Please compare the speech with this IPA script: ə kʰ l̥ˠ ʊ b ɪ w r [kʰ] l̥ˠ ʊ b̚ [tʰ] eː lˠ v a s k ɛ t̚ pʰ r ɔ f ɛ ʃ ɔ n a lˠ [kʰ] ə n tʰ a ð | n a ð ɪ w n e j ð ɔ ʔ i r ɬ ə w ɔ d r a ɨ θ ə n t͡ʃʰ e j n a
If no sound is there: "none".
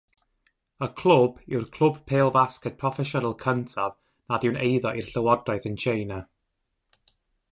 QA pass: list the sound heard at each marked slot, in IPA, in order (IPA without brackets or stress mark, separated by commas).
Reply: kʰ, pʰ, kʰ